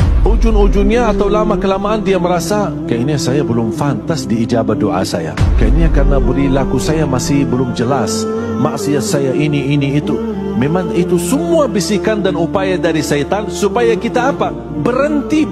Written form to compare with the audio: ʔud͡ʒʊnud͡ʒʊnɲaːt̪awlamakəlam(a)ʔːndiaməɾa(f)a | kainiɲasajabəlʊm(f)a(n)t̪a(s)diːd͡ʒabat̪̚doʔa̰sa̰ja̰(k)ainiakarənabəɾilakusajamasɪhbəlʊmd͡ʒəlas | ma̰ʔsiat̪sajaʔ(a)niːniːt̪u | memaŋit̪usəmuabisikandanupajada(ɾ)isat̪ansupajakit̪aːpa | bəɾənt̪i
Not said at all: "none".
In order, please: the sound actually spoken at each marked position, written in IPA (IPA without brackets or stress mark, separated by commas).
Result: a, s, f, n, s, k, i, ɾ